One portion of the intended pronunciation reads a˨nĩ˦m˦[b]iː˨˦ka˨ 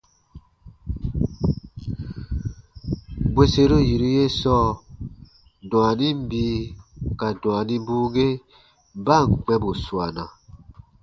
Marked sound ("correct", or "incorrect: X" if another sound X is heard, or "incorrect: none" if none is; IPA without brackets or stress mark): correct